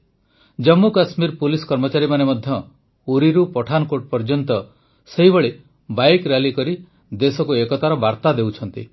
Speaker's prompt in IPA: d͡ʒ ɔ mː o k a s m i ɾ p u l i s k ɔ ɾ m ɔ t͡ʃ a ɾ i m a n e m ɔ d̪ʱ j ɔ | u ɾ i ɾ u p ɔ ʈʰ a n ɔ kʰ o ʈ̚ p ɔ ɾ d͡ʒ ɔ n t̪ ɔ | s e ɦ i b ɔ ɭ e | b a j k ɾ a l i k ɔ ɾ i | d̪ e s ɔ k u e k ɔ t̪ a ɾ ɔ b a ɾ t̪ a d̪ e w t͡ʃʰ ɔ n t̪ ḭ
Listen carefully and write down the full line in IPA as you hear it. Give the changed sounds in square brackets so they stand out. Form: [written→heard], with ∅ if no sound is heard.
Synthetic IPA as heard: d͡ʒ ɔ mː [o→u] k a s m i ɾ p u l i s k ɔ ɾ m ɔ t͡ʃ a ɾ i m a n e m ɔ d̪ʱ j ɔ | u ɾ i ɾ u p ɔ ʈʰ a n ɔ [kʰ→k] o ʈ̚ p ɔ ɾ d͡ʒ ɔ n t̪ ɔ | s e ɦ i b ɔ ɭ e | b a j k ɾ a l i k ɔ ɾ i | d̪ e s ɔ k u e k ɔ t̪ a ɾ ɔ b a ɾ t̪ a d̪ e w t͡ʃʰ ɔ n t̪ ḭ